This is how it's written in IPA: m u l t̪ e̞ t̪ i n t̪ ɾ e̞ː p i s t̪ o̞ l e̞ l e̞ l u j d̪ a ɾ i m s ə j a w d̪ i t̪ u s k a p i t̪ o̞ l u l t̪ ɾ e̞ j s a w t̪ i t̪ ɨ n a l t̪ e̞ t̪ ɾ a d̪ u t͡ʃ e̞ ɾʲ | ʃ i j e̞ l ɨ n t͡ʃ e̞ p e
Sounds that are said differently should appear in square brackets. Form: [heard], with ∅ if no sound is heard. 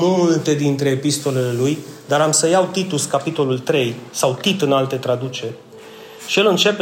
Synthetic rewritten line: m u l t̪ e̞ [d̪] i n t̪ ɾ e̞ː p i s t̪ o̞ l e̞ l e̞ l u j d̪ a ɾ [a] m s ə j a w [t̪] i t̪ u s k a p i t̪ o̞ l u l t̪ ɾ e̞ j s a w t̪ i t̪ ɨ n a l t̪ e̞ t̪ ɾ a d̪ u t͡ʃ e̞ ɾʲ | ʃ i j e̞ l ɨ n t͡ʃ e̞ p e